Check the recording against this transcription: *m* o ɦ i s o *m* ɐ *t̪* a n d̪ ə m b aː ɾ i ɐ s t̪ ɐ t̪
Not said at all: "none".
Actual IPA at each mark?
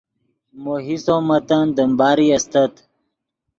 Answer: m, m, t̪

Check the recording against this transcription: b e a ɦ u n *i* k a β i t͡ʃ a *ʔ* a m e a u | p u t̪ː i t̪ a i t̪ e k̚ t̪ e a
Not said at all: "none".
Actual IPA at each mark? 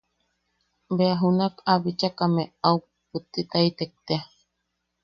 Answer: a, k

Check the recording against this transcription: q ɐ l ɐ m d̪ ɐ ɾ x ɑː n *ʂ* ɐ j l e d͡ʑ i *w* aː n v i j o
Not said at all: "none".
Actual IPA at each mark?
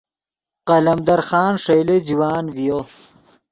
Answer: ʂ, w

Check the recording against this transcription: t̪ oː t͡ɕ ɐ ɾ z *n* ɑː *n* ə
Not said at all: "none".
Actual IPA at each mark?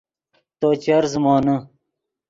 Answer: m, n

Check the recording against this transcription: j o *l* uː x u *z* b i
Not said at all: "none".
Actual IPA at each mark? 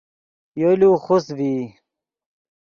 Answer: l, s

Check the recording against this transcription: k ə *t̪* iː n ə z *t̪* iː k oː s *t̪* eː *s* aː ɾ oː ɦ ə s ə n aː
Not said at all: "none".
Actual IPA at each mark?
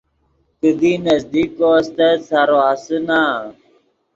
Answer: d̪, d̪, t̪, s

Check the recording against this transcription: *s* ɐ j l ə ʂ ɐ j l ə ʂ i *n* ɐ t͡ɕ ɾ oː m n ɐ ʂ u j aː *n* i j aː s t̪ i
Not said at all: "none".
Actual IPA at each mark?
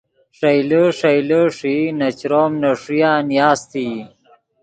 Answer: ʂ, n, n

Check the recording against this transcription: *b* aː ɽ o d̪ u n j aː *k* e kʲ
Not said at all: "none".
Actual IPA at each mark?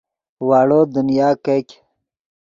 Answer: w, k

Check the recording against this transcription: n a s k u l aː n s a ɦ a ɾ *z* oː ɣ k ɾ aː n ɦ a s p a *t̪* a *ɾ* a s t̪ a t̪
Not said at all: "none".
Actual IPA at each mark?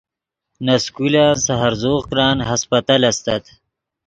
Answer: z, t̪, l

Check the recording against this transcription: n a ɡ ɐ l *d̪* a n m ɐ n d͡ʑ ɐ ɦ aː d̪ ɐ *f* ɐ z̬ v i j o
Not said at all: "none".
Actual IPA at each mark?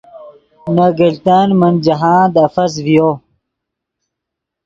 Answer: t̪, f

